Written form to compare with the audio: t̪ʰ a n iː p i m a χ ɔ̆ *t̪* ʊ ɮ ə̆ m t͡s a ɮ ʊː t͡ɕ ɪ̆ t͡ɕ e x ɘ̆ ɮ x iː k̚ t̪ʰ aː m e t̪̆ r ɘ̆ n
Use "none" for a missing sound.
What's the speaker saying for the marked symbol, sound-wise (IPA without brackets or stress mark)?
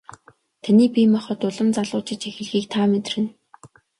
t̪